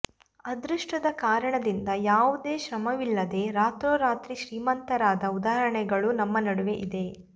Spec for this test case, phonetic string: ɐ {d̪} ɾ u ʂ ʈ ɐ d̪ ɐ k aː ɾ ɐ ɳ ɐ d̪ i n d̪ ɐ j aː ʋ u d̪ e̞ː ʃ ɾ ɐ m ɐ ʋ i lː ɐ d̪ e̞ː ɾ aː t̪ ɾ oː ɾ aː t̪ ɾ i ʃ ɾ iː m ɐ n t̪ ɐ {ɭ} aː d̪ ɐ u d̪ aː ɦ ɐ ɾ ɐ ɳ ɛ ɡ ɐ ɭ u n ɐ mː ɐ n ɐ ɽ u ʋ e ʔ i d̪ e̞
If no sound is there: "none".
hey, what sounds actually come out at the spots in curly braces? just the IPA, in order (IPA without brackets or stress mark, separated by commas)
d̪, ɾ